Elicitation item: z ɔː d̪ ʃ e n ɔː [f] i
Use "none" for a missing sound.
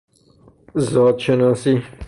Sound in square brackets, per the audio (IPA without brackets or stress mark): s